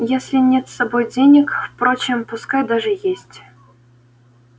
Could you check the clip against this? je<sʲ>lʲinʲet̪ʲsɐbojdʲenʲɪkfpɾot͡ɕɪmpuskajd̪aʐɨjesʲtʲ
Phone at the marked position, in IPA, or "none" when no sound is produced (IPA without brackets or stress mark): sʲ